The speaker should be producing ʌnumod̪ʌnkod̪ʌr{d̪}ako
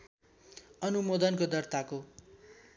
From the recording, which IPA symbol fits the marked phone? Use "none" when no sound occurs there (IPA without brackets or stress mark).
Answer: t̪